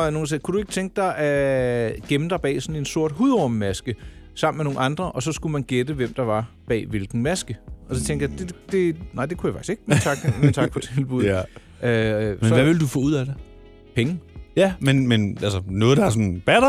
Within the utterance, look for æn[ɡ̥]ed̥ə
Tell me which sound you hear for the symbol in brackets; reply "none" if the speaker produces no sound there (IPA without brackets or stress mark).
ɡ̥